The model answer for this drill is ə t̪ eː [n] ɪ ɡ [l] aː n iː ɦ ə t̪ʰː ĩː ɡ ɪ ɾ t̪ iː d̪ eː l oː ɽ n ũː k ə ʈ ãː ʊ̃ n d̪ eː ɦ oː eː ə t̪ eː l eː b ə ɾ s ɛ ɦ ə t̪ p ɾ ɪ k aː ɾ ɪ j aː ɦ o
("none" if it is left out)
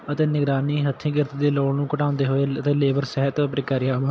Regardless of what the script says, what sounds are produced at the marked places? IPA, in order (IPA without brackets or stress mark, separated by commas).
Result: n, ɾ